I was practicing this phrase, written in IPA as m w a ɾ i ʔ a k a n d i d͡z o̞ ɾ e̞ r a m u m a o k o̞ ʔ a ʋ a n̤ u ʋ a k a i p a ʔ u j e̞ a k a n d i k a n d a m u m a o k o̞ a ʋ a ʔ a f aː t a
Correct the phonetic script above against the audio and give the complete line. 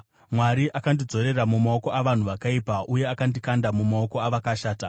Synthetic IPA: m w a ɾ i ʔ a k a n d i d͡z o̞ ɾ e̞ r a m u m a o k o̞ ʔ a ʋ a n̤ u ʋ a k a i p a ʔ u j e̞ a k a n d i k a n d a m u m a o k o̞ a ʋ a k a ʃ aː t a